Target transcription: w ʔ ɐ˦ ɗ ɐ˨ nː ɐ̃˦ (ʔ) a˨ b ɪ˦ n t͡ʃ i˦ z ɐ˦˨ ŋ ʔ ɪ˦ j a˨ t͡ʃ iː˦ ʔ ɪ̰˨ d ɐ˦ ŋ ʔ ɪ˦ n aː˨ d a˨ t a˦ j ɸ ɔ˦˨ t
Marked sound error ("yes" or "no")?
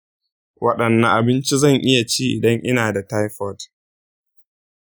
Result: no